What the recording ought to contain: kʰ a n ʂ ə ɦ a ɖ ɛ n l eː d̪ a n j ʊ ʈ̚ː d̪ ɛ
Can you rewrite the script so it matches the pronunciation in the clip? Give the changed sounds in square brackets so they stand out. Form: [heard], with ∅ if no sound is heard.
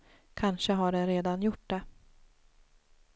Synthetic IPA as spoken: kʰ a n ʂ ə ɦ a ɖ ɛ n [ɾ] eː d̪ a n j ʊ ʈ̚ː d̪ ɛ